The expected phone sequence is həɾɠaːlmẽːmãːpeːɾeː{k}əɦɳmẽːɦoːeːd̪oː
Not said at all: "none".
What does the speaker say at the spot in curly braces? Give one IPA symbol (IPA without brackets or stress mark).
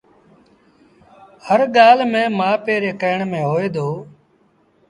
k